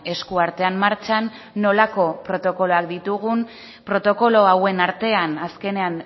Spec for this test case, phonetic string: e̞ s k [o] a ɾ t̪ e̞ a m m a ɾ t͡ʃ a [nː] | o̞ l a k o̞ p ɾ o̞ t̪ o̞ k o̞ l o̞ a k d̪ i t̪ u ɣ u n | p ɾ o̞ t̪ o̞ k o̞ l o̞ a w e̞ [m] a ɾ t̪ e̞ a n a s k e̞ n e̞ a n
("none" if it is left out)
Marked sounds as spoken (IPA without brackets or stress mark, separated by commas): u, nː, n